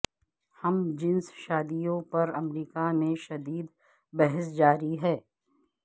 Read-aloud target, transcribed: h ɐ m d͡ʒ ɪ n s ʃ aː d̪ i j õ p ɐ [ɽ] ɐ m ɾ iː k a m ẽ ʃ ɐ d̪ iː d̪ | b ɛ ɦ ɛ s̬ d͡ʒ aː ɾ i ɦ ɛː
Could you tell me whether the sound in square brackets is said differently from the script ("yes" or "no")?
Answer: yes